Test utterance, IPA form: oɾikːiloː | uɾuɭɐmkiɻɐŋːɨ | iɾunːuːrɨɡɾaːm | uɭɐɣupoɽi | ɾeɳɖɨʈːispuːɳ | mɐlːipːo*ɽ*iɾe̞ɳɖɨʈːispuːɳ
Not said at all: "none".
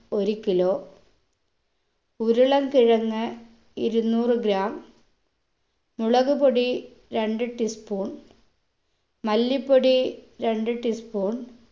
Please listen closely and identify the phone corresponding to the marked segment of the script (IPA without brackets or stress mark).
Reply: ɽ